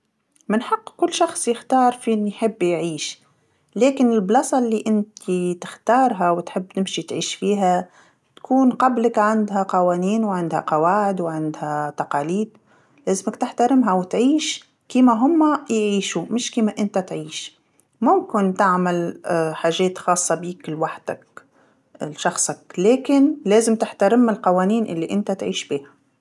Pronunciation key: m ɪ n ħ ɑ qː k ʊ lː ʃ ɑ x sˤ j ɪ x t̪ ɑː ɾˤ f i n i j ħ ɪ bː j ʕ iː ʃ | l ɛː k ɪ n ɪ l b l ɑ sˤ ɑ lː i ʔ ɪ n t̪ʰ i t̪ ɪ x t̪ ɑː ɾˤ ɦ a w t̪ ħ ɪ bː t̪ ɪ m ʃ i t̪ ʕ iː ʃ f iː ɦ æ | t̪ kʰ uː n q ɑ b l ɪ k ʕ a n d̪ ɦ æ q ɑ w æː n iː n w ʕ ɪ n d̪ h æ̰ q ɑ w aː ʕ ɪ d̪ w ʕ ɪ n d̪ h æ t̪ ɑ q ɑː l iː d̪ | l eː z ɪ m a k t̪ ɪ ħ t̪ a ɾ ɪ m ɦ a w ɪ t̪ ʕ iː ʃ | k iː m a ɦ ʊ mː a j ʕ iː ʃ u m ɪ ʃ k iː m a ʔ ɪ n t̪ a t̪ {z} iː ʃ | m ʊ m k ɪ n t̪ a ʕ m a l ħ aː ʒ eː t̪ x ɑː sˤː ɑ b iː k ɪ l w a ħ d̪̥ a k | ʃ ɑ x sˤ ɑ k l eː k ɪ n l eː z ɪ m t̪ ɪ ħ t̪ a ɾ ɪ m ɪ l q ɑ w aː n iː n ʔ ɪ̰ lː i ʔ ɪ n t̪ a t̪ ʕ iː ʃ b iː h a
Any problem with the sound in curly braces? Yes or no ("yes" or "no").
yes